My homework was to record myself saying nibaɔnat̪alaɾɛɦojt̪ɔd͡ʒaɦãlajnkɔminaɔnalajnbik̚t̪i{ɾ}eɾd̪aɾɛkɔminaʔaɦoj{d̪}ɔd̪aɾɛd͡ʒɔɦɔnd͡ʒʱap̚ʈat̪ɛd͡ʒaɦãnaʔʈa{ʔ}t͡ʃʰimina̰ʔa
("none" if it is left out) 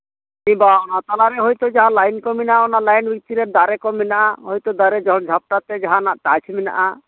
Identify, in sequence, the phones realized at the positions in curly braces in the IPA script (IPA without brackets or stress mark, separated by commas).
ɾ, t̪, none